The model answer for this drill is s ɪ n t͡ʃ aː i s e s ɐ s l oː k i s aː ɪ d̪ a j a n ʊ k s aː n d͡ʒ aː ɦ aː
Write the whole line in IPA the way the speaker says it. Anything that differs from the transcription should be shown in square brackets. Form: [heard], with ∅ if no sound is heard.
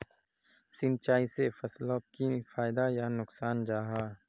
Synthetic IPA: s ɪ n t͡ʃ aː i s e [f] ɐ s l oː k i [f] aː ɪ d̪ a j a n ʊ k s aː n d͡ʒ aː ɦ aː